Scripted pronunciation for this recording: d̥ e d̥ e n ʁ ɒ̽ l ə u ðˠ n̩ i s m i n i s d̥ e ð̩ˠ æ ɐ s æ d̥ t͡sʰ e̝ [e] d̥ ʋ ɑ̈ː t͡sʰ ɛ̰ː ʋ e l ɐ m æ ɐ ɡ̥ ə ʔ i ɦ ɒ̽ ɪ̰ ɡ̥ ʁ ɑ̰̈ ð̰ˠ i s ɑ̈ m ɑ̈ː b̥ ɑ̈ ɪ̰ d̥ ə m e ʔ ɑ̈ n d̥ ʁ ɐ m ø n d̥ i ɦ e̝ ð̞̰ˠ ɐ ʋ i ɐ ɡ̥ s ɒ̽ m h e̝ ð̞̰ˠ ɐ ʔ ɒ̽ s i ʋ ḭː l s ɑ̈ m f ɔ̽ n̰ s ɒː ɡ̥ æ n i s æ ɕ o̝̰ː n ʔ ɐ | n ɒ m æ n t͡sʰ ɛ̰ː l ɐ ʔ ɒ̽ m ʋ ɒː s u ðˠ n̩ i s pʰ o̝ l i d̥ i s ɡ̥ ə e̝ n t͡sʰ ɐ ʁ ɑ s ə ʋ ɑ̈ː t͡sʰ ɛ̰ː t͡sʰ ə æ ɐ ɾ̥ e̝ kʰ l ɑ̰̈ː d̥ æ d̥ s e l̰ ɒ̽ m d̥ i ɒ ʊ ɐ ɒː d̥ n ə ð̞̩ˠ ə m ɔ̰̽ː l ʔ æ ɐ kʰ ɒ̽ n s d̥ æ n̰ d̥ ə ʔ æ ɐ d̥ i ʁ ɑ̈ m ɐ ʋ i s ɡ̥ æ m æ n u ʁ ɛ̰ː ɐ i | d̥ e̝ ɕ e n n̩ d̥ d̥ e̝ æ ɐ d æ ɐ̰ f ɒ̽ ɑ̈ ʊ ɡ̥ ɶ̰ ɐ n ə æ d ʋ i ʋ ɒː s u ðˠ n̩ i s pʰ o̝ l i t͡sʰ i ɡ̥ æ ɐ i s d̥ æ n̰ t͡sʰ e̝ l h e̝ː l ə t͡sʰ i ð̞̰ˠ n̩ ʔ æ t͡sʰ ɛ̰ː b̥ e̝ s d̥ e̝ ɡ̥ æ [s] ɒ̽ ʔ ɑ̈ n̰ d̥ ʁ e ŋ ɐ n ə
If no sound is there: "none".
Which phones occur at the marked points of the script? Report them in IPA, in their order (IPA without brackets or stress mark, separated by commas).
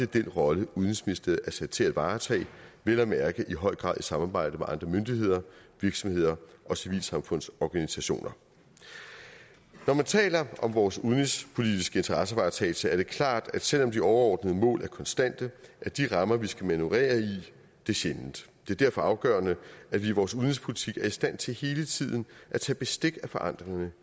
æ, f